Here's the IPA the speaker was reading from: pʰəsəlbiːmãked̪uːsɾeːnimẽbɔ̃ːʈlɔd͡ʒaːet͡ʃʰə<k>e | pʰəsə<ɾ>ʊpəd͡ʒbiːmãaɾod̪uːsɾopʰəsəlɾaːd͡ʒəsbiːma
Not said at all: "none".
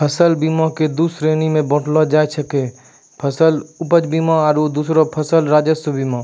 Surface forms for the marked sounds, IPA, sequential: k, l

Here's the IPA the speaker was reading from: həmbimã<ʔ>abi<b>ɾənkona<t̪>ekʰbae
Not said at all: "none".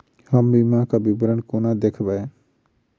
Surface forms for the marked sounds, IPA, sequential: k, b, d̪

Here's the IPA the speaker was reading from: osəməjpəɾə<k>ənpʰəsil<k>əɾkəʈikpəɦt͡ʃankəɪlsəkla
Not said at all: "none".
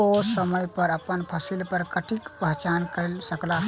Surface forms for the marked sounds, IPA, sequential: p, p

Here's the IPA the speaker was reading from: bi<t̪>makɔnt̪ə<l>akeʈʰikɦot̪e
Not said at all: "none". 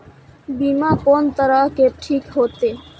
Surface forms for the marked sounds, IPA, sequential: none, ɾ

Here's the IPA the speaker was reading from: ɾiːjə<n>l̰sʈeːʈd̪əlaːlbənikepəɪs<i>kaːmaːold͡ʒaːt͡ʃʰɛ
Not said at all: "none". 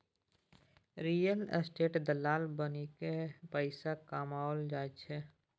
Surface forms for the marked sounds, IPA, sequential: none, a

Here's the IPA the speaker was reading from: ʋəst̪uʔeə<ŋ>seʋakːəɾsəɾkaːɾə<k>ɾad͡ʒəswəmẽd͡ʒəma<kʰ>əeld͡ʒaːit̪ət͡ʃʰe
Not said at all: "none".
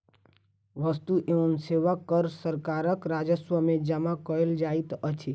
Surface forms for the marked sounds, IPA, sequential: n, k, k

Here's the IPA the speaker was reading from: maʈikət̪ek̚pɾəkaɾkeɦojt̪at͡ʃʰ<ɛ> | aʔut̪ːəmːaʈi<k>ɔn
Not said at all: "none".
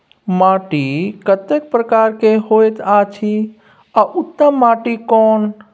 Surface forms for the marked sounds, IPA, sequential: i, k

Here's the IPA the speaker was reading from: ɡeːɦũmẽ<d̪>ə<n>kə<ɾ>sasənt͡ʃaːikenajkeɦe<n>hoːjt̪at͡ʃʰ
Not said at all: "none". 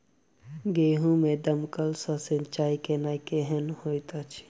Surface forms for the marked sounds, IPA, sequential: d̪, m, l, n

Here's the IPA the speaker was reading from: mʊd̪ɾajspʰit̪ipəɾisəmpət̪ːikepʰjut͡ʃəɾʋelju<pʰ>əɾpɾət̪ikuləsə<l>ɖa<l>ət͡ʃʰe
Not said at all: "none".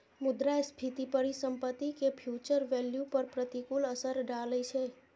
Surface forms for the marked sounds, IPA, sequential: p, ɾ, l

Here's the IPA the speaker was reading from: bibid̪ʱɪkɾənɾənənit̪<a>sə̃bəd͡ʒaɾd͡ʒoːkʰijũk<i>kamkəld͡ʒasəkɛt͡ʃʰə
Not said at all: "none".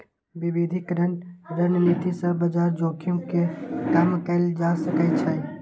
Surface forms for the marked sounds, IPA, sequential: i, e

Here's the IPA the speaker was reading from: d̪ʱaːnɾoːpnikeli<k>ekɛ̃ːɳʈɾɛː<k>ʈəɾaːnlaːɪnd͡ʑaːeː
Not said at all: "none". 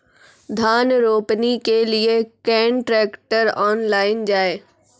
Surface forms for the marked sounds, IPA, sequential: none, k

